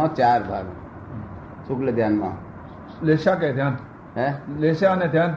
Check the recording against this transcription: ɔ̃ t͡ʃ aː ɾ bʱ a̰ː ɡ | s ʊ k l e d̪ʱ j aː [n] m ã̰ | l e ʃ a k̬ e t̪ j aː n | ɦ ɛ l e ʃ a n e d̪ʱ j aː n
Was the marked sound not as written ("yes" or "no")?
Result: no